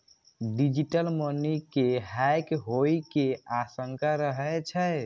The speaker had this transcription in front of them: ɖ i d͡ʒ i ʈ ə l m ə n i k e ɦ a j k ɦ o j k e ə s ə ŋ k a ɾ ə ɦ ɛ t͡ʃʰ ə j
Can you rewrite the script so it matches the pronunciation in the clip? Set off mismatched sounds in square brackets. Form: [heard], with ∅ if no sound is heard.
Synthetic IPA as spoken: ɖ i d͡ʒ i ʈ ə l m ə n i k e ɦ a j k ɦ o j k e [a] s ə ŋ k a ɾ ə ɦ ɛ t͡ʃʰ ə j